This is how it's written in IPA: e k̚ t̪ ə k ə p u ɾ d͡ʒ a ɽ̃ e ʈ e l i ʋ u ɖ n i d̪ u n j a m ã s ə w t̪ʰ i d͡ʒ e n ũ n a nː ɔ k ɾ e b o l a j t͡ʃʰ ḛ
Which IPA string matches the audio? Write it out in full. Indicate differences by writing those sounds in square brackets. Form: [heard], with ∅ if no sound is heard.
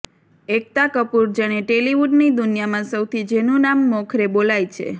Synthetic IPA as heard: e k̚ t̪ [a] k ə p u ɾ d͡ʒ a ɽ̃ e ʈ e l i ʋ u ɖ n i d̪ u n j a m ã s ə w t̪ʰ i d͡ʒ e n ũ n a [mː] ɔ [kʰ] ɾ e b o l a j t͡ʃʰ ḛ